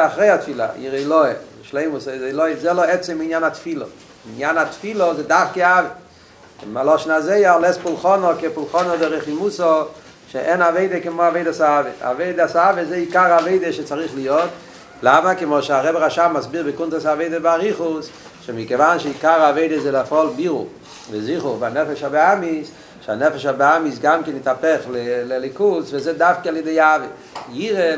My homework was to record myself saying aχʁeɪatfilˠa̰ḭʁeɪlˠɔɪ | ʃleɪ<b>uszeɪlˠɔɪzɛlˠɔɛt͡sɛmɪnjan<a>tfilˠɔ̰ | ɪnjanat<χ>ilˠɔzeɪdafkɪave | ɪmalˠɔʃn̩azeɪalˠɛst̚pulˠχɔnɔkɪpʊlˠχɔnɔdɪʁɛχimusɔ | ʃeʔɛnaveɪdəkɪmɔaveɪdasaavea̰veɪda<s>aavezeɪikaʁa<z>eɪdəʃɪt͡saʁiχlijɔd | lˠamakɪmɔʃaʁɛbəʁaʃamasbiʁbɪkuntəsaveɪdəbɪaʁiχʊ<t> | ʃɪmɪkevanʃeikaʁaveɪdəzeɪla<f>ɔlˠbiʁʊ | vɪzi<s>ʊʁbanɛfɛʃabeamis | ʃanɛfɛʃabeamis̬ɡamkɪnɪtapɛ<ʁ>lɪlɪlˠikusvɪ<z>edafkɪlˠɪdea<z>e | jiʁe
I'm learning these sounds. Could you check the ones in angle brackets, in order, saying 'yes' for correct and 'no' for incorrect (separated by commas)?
no, yes, no, yes, no, no, yes, no, no, yes, no